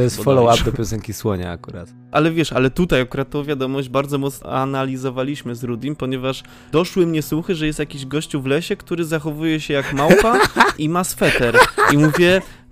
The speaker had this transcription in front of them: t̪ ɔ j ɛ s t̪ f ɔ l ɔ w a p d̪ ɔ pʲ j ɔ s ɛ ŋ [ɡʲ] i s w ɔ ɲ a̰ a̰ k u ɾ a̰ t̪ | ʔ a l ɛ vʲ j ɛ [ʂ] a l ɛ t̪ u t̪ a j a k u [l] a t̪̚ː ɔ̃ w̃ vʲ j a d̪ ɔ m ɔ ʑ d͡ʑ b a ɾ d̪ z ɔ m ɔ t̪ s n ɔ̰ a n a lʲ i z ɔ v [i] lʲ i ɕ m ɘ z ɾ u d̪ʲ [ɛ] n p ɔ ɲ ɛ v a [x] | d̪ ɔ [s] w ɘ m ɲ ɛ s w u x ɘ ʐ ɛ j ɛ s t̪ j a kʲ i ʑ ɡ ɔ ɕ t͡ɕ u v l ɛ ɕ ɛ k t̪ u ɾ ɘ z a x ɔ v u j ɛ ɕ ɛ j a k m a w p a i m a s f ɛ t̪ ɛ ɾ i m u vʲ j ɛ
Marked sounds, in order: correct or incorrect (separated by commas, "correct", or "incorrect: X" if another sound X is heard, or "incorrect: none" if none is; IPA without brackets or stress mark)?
incorrect: kʲ, correct, incorrect: ɾ, incorrect: a, incorrect: i, incorrect: ʂ, incorrect: ʂ